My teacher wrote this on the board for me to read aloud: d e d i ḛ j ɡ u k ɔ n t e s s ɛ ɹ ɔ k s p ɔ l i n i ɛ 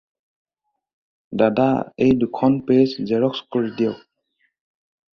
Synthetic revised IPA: d a d a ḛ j d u kʰ ɔ n p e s z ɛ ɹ ɔ k s k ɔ ɹ i d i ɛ